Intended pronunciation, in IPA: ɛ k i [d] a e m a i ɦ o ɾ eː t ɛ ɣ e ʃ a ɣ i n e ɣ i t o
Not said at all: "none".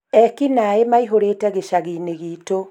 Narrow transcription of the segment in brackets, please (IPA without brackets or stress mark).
n